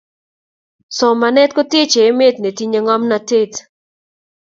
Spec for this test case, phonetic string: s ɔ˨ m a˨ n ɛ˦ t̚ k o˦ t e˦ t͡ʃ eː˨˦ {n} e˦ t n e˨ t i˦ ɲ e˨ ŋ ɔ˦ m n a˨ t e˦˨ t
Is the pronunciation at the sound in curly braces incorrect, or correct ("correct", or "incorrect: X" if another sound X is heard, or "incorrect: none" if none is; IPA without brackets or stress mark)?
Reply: incorrect: m